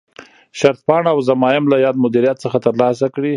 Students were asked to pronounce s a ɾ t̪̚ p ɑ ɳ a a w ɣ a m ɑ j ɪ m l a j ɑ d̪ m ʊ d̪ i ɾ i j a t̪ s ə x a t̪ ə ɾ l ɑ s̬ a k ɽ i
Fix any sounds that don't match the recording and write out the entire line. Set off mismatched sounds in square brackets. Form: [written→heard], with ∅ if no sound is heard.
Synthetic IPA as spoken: [s→ʃ] a ɾ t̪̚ p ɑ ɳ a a w [ɣ→z] a m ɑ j ɪ m l a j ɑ d̪ m ʊ d̪ i ɾ i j a t̪ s ə x a t̪ ə ɾ l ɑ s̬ a k ɽ i